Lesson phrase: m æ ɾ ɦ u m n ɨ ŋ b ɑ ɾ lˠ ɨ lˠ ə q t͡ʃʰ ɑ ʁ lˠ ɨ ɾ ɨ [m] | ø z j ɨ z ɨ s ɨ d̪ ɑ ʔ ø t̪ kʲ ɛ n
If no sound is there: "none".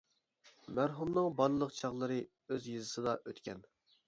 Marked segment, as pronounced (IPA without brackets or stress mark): none